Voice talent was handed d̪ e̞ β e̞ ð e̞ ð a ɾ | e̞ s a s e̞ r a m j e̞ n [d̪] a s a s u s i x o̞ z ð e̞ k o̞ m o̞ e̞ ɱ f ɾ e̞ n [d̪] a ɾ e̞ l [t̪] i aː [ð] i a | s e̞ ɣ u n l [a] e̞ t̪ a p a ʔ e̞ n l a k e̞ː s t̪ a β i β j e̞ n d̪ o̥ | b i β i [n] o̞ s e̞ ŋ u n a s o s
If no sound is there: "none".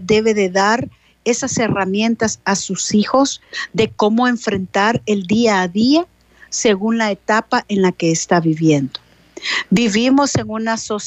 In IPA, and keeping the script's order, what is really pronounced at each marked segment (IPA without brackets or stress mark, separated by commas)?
t̪, t̪, d̪, ð, a, m